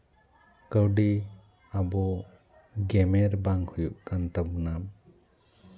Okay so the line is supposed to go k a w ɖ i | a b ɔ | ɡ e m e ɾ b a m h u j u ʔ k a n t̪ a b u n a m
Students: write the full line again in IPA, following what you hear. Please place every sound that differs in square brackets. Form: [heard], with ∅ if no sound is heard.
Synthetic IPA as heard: k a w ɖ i | a b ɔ | ɡ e m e ɾ b a [ŋ] h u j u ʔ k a n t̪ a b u n a m